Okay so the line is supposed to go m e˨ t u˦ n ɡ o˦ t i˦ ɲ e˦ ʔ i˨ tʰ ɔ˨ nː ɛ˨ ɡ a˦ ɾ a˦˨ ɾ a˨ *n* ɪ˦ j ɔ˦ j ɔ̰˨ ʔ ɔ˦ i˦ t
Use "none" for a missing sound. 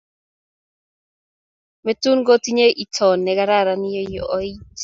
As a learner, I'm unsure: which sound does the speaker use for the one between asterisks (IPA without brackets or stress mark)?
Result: n